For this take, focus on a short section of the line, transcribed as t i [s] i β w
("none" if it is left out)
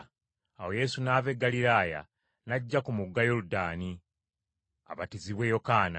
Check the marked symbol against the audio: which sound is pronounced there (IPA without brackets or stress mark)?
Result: z